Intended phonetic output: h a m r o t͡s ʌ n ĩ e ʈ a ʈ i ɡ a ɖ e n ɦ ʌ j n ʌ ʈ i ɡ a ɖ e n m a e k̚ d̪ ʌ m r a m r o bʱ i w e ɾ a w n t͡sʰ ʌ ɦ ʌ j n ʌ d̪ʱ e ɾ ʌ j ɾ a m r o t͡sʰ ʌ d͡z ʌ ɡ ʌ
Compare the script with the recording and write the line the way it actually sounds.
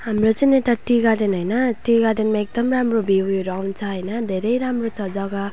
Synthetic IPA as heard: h a m r o t͡s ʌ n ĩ e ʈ a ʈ i ɡ a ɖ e n ɦ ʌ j n ʌ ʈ i ɡ a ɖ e n m a e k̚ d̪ ʌ m r a m r o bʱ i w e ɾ a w n t͡sʰ ʌ ɦ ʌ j n ʌ d̪ʱ e ɾ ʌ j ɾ a m r o t͡sʰ ʌ d͡z ʌ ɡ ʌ